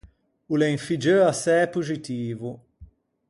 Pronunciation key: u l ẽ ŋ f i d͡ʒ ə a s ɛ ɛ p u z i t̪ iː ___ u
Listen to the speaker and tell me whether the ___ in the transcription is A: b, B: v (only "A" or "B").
B